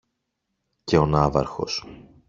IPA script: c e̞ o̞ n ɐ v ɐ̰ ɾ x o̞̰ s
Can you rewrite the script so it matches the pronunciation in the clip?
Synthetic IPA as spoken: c e̞ o̞ n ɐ v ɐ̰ ɾ x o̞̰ s

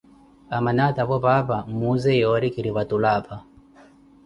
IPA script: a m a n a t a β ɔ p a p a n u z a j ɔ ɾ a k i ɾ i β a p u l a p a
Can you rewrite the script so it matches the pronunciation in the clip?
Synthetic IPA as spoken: a m a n a t a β ɔ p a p a m u z ɛ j ɔ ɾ i k i ɾ i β a t u l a p a

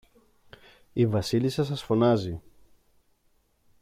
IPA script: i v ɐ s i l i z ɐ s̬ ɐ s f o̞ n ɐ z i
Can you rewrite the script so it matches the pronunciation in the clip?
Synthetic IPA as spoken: i v ɐ s i l i s ɐ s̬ ɐ s f o̞ n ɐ z i

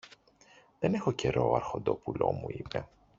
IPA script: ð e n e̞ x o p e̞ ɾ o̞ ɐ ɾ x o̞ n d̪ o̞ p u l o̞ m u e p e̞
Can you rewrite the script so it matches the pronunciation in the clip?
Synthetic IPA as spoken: ð e n e̞ x o c e̞ ɾ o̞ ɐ ɾ x o̞ n d̪ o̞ p u l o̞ m u i p e̞

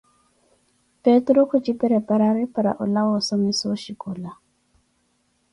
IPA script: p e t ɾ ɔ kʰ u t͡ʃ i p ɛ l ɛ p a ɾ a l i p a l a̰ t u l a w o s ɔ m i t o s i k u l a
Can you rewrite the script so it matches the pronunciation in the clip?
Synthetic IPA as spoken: p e t ɾ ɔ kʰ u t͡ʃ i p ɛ ɾ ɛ p a ɾ a ɾ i p a ɾ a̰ ʔ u l a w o s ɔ m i s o ʃ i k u l a

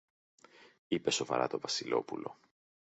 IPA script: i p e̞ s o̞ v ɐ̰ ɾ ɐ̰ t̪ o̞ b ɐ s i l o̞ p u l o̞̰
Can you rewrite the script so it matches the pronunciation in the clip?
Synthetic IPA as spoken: i p e̞ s o̞ v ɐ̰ ɾ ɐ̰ t̪ o̞ v ɐ s i l o̞ p u l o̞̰

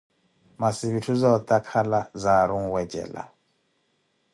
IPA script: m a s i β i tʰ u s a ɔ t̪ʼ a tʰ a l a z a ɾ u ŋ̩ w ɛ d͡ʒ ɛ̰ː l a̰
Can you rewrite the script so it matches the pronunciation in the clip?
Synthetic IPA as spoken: m a s i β i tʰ u z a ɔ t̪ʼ a kʰ a l a z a ɾ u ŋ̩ w ɛ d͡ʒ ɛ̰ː l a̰

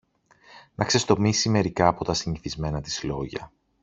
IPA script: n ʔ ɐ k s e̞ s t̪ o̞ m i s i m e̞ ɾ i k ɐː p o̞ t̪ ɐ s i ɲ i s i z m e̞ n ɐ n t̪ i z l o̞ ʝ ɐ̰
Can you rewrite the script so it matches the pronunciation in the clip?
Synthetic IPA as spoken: n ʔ ɐ k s e̞ s t̪ o̞ m i s i m e̞ ɾ i k ɐː p o̞ t̪ ɐ s i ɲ i θ i z m e̞ n ɐ t̪ i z l o̞ ʝ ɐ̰

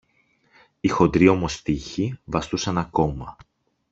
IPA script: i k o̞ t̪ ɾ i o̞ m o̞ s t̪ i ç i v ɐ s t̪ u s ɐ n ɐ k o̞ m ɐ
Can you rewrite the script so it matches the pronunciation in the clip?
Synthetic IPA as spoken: i x o̞ d̪ ɾ i o̞ m o̞ s t̪ i ç i v ɐ s t̪ u s ɐ n ɐ k o̞ m ɐ

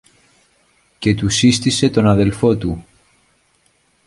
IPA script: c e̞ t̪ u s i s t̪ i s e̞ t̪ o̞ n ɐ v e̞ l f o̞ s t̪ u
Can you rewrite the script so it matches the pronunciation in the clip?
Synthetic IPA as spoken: c e̞ t̪ u s i s t̪ i s e̞ t̪ o̞ n ɐ ð e̞ l f o̞ t̪ u

